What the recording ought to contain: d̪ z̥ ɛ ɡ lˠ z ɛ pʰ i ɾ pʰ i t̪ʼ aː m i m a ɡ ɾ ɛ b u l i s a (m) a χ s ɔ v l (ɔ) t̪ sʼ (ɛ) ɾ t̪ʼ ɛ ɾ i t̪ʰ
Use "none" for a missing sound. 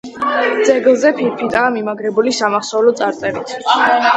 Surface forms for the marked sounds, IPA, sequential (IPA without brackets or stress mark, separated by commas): m, ɔ, a